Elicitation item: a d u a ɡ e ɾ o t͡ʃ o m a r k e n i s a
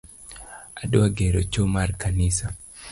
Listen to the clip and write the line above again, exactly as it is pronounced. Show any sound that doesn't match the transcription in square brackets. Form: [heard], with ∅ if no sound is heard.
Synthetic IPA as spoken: a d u a ɡ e ɾ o t͡ʃ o m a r k [a] n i s a